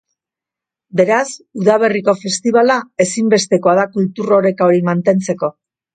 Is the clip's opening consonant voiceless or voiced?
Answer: voiced